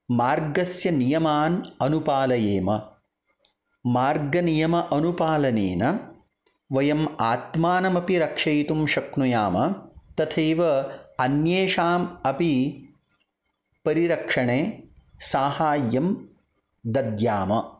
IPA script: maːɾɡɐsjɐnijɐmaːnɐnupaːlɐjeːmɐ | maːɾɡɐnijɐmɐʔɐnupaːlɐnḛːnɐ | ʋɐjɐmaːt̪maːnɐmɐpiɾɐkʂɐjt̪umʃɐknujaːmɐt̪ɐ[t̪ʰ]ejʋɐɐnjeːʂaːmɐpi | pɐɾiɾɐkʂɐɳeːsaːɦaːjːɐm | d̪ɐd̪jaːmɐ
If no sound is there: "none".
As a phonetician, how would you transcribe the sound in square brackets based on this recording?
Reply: t̪ʰ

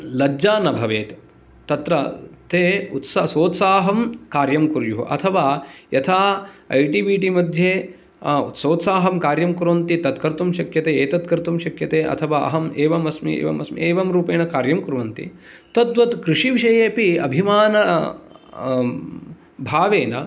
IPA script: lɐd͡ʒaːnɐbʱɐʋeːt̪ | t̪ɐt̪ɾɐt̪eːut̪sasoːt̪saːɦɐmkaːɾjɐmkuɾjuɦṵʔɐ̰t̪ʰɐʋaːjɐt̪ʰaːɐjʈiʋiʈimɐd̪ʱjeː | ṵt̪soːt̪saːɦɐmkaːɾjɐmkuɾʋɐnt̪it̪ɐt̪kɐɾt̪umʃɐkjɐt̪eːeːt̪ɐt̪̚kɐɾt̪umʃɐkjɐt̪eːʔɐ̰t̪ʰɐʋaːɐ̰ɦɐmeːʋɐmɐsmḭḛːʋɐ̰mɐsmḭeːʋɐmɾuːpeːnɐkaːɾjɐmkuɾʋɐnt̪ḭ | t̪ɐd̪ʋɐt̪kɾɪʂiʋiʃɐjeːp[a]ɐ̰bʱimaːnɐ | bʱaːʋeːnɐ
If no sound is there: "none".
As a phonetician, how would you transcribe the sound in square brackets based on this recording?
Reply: i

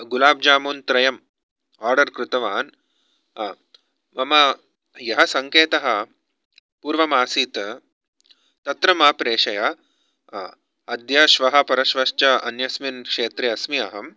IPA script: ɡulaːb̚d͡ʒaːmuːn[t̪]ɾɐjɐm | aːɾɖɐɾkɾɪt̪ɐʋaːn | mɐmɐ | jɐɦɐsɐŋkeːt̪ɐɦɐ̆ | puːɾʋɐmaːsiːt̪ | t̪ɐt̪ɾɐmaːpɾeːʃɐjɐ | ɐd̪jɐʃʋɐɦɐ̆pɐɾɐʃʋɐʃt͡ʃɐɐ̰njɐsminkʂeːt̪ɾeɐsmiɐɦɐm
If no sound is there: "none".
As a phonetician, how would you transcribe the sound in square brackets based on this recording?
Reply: t̪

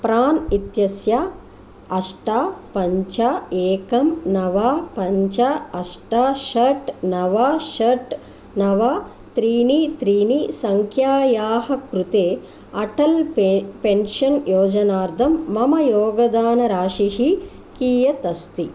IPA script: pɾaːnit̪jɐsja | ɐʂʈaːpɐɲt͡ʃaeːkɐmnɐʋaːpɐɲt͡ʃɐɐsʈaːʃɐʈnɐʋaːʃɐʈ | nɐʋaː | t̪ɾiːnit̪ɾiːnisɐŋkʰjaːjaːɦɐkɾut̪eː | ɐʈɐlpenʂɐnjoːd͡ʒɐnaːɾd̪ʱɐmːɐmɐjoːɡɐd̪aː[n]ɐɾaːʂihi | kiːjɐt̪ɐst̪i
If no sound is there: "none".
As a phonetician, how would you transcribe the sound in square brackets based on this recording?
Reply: n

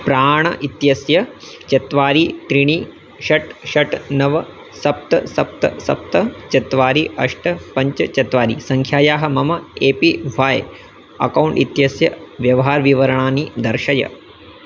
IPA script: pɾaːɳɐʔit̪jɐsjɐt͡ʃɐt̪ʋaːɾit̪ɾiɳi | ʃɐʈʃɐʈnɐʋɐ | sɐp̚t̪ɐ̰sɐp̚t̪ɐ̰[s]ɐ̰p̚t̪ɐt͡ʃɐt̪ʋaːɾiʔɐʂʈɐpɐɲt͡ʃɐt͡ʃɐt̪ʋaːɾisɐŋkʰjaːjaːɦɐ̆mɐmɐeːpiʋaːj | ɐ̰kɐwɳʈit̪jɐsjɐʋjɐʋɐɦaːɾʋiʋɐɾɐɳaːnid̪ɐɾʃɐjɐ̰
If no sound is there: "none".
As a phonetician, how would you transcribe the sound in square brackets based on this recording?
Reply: s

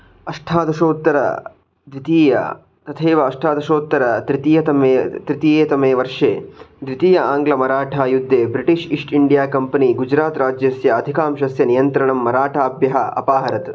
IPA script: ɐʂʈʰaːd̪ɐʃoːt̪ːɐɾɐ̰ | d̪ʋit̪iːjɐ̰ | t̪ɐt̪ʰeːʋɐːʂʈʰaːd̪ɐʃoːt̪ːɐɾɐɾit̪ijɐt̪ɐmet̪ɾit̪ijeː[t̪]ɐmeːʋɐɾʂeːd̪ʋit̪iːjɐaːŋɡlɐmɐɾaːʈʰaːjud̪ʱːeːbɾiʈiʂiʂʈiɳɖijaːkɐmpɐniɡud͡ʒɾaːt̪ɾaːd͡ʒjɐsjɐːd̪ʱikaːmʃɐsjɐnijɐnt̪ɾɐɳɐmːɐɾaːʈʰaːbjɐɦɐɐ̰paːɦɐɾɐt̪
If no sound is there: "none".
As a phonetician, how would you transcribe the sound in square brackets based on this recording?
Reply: t̪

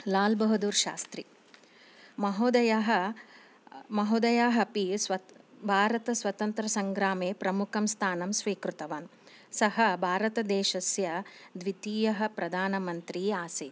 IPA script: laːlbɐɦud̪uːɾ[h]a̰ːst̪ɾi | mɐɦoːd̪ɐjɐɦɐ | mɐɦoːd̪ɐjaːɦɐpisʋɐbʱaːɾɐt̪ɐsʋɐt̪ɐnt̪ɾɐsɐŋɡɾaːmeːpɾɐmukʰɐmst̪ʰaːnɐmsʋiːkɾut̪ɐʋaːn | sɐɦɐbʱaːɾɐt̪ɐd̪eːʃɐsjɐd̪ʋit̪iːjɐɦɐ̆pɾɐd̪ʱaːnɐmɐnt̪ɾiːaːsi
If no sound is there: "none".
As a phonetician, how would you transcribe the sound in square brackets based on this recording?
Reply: ʃ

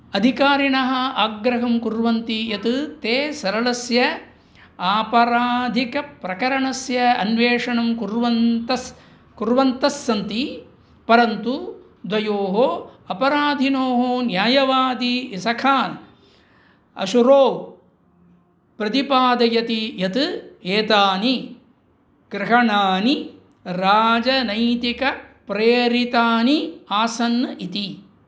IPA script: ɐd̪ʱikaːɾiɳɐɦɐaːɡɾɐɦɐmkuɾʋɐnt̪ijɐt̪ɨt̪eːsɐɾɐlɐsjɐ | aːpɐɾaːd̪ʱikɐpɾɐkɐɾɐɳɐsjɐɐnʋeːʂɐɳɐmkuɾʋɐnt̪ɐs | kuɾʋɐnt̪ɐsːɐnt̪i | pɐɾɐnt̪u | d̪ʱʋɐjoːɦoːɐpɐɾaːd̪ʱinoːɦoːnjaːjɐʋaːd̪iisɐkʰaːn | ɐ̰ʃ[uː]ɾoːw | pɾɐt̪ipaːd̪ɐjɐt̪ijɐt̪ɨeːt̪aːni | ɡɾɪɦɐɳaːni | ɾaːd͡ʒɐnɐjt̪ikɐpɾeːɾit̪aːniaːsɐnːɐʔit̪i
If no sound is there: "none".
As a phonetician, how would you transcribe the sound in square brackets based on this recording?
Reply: u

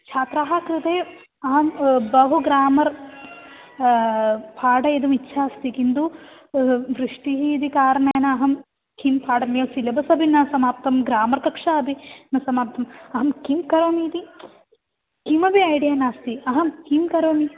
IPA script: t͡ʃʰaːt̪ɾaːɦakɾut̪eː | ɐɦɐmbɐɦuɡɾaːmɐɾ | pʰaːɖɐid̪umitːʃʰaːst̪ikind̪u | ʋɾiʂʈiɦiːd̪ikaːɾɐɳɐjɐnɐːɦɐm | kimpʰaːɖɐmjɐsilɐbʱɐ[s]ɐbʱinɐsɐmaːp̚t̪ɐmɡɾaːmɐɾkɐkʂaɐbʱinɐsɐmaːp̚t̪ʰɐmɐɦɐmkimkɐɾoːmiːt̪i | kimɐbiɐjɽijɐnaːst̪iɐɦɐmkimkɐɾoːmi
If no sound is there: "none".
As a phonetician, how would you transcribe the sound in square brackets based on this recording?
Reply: s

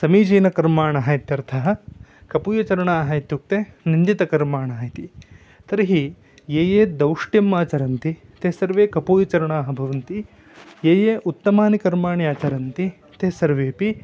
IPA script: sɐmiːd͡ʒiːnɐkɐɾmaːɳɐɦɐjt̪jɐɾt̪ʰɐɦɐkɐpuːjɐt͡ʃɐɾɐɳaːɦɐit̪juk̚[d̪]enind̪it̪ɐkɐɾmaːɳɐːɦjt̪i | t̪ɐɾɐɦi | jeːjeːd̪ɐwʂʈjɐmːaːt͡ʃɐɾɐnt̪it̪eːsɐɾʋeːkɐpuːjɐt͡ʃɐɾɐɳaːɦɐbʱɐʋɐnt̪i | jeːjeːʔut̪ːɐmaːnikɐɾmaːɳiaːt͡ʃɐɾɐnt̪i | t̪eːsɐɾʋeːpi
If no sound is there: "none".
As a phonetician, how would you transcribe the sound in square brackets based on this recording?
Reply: t̪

